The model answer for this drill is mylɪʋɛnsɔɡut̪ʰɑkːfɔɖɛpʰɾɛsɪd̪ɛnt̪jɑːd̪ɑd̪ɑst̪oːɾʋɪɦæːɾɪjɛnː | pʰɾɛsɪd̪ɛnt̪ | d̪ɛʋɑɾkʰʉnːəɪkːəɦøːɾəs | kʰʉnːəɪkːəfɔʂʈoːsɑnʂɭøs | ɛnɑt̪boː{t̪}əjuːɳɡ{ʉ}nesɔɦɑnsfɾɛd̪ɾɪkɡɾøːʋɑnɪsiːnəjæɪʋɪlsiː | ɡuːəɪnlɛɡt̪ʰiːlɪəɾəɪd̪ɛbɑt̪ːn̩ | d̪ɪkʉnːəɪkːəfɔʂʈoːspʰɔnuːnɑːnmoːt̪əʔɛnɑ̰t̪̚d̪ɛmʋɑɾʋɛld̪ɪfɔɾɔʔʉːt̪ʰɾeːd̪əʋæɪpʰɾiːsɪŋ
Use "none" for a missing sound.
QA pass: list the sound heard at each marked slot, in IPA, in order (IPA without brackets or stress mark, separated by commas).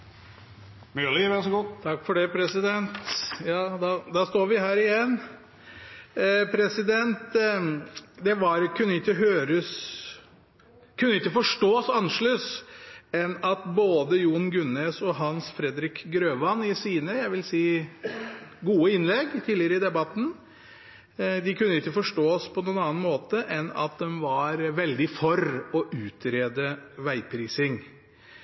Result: d̪, ʉ